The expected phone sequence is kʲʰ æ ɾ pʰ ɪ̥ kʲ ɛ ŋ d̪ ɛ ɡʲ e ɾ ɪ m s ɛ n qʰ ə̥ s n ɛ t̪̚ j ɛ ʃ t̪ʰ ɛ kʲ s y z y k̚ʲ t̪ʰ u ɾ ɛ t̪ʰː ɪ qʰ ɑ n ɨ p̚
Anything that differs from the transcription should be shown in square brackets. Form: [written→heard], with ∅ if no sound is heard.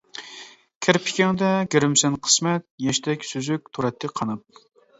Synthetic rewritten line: kʲʰ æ ɾ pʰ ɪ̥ kʲ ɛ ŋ d̪ ɛ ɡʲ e ɾ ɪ m s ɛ n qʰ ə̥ s [n→m] ɛ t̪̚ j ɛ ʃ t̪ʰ ɛ kʲ s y z y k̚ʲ t̪ʰ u ɾ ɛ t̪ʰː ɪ qʰ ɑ n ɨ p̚